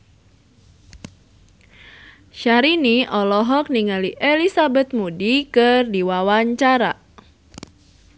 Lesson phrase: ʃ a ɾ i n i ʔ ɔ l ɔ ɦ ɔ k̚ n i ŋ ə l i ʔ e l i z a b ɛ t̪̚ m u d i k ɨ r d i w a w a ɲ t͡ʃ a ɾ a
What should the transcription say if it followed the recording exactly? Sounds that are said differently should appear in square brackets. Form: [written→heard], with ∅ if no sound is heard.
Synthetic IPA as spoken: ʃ a ɾ i n i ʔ ɔ l ɔ ɦ ɔ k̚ n i ŋ [ə→a] l i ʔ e l i [z→s] a b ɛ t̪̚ m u d i k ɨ r d i w a w a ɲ t͡ʃ a ɾ a